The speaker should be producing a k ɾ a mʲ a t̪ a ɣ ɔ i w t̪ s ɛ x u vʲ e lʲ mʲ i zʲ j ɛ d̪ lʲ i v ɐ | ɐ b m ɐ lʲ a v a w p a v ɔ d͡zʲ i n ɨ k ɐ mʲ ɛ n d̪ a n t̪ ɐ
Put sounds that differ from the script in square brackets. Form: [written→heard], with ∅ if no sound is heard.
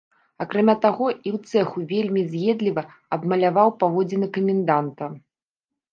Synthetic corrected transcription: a k ɾ a mʲ a t̪ a ɣ ɔ i w t̪ s ɛ x u vʲ e lʲ mʲ i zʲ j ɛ d̪ lʲ i v ɐ | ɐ b m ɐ lʲ a v a w p a v ɔ d͡zʲ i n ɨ k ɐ mʲ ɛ n d̪ a n t̪ ɐ